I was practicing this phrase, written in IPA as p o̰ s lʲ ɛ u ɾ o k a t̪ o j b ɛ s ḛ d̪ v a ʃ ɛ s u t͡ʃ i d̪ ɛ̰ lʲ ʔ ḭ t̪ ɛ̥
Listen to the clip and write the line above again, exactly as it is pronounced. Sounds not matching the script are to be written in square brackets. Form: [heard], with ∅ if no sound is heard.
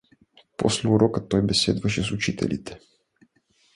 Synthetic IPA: p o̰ s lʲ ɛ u ɾ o k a t̪ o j b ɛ s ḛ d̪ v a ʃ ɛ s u t͡ʃ i [t̪] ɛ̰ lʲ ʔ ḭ t̪ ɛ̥